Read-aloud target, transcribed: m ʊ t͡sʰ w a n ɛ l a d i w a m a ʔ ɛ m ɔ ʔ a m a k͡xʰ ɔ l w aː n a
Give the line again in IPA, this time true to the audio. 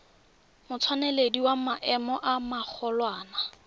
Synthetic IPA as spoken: m ʊ t͡sʰ w a n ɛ l e d i w a m a ʔ ɛ m ɔ ʔ a m a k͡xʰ ɔ l w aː n a